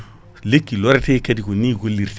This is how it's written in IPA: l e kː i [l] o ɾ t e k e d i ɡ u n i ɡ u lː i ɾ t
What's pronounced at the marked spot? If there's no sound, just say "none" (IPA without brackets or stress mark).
l